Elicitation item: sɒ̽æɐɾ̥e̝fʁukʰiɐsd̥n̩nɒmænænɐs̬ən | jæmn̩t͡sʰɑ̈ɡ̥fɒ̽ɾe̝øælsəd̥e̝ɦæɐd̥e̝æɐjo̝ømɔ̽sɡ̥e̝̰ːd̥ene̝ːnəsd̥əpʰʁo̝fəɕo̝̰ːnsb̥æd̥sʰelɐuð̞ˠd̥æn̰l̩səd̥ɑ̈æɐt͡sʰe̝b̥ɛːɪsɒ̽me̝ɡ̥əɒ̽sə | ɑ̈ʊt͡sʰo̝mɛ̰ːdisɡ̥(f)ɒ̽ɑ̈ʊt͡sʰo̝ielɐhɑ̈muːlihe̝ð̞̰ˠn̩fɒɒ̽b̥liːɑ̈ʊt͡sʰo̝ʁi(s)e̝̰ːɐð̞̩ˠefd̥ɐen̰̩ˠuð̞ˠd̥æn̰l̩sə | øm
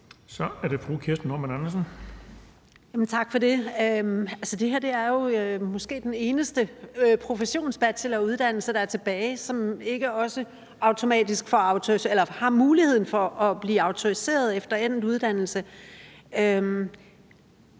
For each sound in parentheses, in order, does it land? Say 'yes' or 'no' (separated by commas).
yes, yes